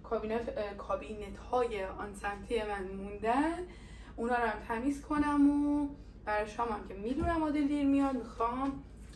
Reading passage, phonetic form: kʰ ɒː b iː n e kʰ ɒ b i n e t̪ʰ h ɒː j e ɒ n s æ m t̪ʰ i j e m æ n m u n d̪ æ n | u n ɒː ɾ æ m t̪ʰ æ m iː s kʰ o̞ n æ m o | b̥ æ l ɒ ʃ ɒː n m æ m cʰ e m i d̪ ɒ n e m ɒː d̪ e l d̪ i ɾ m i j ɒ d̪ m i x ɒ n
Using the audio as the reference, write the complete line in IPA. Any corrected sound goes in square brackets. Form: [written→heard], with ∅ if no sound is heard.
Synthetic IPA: kʰ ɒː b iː n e kʰ ɒ b i n e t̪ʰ h ɒː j e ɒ n s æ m t̪ʰ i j e m æ n m u n d̪ æ n | u n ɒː ɾ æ m t̪ʰ æ m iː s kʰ o̞ n æ m o | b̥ æ [l→ɾ] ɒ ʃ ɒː [n→∅] m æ m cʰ e m i d̪ [ɒ→u] n [e→æ] m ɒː d̪ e l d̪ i ɾ m i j ɒ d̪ m i x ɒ [n→m]